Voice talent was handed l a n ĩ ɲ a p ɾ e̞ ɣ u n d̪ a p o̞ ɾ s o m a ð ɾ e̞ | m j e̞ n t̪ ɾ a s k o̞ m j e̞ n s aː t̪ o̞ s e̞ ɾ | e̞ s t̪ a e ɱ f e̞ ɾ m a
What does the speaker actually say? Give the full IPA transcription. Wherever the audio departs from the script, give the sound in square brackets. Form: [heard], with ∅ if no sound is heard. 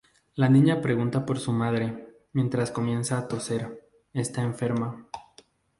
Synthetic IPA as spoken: l a n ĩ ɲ a p ɾ e̞ ɣ u n [t̪] a p o̞ ɾ s [u] m a ð ɾ e̞ | m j e̞ n t̪ ɾ a s k o̞ m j e̞ n s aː t̪ o̞ s e̞ ɾ | e̞ s t̪ a e ɱ f e̞ ɾ m a